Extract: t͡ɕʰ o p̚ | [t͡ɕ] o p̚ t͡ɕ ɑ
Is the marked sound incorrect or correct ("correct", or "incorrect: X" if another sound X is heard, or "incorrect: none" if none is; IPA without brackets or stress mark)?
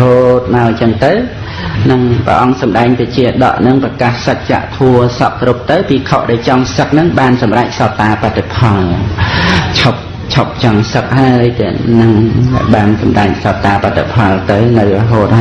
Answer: incorrect: t͡ɕʰ